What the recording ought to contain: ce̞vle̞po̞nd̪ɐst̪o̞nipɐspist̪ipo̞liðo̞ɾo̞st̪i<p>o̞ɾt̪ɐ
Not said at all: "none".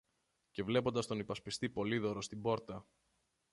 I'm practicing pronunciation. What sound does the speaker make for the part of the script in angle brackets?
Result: b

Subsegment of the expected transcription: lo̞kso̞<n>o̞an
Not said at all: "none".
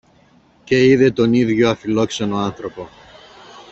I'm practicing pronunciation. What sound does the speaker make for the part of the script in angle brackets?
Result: n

